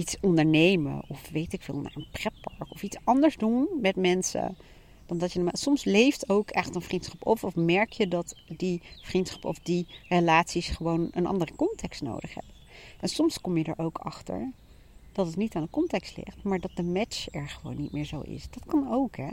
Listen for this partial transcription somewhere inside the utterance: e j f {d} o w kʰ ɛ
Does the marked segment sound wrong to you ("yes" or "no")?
yes